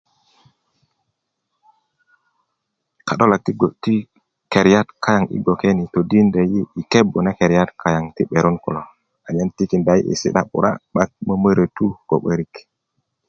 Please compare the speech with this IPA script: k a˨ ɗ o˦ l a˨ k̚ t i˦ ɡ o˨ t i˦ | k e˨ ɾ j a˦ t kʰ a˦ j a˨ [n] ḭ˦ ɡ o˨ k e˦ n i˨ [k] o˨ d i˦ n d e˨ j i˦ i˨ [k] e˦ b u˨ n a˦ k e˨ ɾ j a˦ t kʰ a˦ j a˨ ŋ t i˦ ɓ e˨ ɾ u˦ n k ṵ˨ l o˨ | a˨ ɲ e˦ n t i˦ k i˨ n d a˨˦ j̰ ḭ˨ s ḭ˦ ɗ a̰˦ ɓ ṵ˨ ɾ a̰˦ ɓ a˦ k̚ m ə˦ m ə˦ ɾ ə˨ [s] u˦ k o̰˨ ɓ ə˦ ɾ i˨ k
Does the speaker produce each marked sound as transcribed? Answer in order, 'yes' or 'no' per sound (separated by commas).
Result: no, no, yes, no